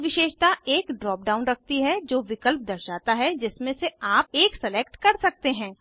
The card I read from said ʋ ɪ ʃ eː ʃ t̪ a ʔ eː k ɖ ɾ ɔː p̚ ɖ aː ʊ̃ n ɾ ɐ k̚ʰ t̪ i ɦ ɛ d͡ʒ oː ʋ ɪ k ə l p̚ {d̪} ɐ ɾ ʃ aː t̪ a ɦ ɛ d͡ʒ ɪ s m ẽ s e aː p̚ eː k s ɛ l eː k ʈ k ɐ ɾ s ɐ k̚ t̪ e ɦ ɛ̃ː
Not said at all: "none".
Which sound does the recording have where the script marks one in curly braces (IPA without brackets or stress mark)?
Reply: d̪